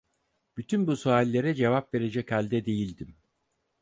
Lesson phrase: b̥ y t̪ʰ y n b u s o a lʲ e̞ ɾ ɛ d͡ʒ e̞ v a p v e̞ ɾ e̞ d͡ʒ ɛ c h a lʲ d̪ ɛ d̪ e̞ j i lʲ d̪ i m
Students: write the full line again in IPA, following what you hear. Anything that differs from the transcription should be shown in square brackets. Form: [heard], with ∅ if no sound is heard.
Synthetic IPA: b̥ y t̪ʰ y n b u s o a [lʲː] e̞ ɾ ɛ d͡ʒ e̞ v a p v e̞ ɾ e̞ d͡ʒ ɛ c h a lʲ d̪ ɛ d̪ e̞ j i lʲ d̪ i m